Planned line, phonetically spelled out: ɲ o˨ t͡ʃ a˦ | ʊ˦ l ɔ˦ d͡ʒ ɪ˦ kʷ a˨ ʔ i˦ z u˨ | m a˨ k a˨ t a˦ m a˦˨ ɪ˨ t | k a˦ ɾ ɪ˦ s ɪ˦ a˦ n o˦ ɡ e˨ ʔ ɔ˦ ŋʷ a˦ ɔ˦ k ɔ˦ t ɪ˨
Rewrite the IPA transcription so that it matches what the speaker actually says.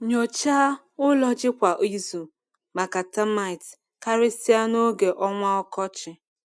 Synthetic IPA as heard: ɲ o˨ t͡ʃ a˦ | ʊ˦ l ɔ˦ d͡ʒ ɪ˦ kʷ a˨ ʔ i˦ z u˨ | m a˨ k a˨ t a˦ m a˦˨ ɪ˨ t | k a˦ ɾ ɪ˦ s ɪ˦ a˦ n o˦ ɡ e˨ ʔ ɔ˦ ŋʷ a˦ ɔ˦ k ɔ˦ t͡ʃ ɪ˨